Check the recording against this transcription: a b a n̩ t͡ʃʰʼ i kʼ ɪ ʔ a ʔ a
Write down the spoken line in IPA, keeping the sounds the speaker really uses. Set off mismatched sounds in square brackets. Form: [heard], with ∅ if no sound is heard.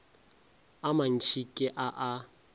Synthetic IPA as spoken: a [m] a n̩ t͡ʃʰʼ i kʼ ɪ ʔ a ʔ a

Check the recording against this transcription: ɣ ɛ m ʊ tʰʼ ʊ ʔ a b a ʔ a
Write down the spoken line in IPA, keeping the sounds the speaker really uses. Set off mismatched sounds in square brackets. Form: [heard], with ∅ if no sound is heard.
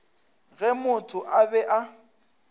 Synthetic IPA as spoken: ɣ ɛ m ʊ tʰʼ ʊ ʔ a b [ɛ] ʔ a

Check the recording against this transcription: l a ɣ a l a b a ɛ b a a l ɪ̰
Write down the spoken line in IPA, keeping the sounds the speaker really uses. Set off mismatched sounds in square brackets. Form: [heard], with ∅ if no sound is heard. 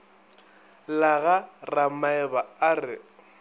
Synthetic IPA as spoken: l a ɣ a [r] a [m] a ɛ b a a [r] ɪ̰

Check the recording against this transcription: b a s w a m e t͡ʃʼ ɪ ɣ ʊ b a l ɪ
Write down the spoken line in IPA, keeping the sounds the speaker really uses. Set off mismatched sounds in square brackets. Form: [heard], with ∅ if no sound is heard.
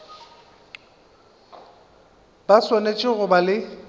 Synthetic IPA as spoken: b a s w a [n] e t͡ʃʼ ɪ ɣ ʊ b a l ɪ

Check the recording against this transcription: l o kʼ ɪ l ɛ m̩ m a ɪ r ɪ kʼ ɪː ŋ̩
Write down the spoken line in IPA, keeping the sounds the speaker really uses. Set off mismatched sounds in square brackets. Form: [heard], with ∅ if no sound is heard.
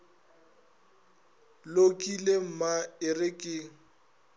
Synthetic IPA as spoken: l o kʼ [i] l [e] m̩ m a ɪ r ɪ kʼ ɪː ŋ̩

